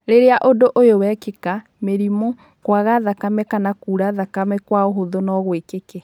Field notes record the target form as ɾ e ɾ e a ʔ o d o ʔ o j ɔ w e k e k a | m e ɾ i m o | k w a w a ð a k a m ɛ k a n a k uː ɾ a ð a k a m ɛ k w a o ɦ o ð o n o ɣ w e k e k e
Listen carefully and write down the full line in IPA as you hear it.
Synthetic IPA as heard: ɾ e ɾ e a ʔ o d o ʔ o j o w ɛ k e k a | m e ɾ i m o | k w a ɣ a ð a k a m ɛ k a n a k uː ɾ a ð a k a m ɛ k w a o ɦ o ð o n ɔ ɣ w e k e k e